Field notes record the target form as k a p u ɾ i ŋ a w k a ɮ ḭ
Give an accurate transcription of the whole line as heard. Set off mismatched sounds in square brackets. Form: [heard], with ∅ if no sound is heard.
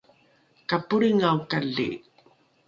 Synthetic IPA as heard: k a p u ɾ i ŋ a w k a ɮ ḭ